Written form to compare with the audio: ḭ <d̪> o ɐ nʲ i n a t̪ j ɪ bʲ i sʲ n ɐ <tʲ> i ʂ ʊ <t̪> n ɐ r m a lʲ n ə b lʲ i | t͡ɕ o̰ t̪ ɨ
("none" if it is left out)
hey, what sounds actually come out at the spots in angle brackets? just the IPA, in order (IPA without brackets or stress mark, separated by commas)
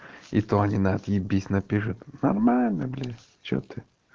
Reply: t̪, pʲ, t̪